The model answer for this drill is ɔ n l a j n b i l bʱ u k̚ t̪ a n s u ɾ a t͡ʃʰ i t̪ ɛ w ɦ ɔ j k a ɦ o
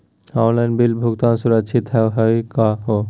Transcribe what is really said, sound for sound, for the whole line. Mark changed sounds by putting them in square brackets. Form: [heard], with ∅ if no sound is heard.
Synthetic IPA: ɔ n l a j n b i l bʱ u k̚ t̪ a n s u ɾ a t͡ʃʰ i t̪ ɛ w ɦ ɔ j k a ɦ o